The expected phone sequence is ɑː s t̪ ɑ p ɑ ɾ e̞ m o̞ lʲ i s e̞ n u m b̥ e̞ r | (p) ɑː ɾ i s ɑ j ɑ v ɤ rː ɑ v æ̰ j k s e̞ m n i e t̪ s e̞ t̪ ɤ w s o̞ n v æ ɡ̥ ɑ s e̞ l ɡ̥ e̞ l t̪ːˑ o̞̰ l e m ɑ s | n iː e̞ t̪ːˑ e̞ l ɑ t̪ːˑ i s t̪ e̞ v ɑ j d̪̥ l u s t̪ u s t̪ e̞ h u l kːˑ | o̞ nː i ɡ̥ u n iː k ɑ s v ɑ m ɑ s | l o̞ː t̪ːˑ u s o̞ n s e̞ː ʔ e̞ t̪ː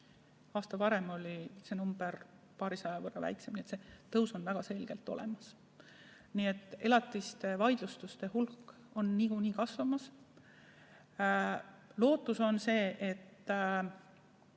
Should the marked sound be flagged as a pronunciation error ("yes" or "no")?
no